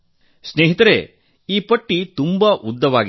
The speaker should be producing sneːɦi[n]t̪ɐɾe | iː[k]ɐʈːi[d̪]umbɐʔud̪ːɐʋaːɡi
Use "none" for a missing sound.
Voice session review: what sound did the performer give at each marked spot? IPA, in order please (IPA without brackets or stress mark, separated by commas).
none, p, t̪